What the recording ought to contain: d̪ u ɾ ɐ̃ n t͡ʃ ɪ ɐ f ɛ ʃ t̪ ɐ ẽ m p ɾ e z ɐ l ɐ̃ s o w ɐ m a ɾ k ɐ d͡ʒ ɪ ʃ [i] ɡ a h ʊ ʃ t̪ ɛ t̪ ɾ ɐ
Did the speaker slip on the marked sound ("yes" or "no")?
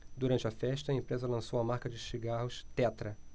no